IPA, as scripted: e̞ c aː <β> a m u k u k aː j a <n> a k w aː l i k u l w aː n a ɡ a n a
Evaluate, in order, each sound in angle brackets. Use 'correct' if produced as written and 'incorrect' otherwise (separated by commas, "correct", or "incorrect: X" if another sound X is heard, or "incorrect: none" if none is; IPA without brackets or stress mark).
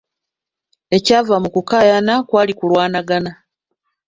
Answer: incorrect: v, correct